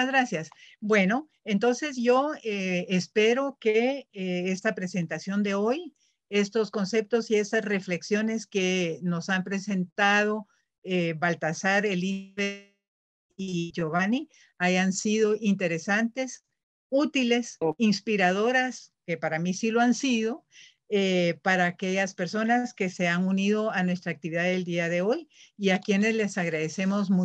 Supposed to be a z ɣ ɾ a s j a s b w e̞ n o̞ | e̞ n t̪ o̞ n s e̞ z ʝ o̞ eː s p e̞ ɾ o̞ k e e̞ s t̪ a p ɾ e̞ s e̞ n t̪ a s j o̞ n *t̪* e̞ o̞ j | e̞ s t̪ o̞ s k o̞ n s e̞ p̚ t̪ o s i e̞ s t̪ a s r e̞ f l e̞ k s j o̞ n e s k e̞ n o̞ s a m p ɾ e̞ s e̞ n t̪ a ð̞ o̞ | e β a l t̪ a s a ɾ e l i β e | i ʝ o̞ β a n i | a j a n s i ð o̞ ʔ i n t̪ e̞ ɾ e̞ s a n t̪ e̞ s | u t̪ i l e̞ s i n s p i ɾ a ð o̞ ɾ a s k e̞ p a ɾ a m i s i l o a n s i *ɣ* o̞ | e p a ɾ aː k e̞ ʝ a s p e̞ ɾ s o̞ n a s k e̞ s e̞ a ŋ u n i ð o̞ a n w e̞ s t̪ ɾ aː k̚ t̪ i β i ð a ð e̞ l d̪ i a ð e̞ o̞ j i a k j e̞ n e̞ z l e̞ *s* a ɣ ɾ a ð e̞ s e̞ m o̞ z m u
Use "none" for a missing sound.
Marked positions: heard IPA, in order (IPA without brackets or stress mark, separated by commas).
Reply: d̪, ð, s